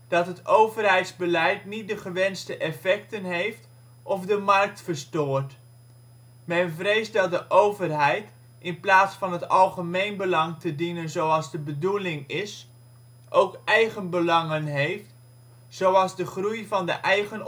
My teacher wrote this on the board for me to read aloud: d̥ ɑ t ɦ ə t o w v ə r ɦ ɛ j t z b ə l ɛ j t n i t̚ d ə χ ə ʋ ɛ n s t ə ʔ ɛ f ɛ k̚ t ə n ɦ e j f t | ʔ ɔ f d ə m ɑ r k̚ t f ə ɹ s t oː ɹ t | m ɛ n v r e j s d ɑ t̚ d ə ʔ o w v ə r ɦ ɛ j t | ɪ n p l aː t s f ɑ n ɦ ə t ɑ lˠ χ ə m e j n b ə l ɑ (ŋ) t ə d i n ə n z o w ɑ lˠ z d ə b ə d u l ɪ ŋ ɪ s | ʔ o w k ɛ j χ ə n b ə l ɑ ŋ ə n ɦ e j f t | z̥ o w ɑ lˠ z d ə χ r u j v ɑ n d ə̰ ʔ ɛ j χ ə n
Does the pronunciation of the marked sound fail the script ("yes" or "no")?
no